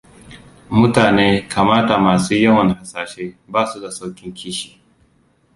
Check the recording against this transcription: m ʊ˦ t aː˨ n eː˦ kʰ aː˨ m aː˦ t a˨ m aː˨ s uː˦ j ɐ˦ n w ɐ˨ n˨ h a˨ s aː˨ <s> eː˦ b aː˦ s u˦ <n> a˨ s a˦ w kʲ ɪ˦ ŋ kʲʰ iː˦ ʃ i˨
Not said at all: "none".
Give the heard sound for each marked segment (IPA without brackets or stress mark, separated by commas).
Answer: ʃ, d